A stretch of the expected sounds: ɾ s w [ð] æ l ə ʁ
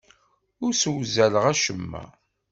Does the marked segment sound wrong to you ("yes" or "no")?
yes